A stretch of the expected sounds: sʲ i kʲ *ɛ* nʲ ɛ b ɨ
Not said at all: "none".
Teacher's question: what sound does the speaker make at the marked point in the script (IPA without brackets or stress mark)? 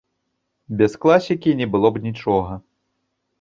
i